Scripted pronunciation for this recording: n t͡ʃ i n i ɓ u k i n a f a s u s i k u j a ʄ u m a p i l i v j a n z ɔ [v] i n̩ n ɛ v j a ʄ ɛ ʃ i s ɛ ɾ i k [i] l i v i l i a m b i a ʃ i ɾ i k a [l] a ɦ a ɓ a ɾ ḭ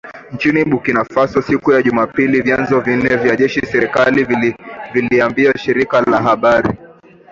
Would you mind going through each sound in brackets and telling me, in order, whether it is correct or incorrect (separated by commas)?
correct, incorrect, correct